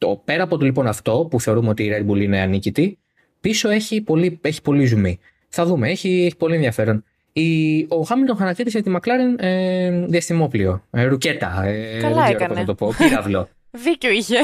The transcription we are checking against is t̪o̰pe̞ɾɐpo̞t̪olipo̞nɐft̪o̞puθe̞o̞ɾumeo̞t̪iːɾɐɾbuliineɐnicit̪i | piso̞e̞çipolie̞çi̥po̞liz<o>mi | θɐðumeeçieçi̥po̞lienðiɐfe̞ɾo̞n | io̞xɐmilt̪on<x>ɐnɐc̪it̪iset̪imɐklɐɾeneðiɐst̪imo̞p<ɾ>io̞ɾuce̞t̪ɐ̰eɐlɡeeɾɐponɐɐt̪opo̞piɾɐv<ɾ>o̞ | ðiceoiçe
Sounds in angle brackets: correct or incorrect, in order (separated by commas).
incorrect, correct, incorrect, incorrect